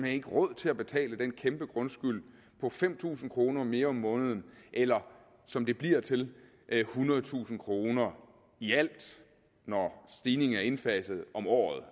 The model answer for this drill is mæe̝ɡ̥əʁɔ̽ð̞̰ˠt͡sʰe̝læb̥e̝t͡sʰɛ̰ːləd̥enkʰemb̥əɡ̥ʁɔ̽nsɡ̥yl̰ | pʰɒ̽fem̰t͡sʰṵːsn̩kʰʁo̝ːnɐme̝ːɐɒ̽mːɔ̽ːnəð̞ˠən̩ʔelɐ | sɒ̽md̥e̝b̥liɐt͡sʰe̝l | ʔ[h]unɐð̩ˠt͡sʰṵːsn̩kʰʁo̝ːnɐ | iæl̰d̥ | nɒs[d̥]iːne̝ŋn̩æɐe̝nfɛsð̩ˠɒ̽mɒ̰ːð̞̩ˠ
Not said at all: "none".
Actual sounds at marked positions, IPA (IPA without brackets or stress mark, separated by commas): h, d̥